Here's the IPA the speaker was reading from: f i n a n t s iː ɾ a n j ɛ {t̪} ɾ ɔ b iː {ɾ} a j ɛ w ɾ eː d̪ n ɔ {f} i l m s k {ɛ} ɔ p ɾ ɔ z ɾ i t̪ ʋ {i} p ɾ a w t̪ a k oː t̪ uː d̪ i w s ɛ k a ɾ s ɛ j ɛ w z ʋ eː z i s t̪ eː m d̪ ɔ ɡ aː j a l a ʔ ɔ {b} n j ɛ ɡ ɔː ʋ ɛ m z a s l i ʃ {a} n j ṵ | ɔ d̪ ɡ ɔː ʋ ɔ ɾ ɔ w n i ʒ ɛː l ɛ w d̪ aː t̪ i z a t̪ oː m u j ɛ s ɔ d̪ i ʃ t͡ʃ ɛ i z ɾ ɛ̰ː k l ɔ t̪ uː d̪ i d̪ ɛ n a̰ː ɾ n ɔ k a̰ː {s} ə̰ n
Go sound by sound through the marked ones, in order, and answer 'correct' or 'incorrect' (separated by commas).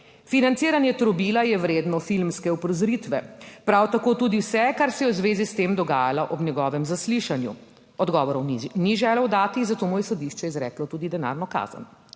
correct, incorrect, correct, correct, incorrect, correct, correct, incorrect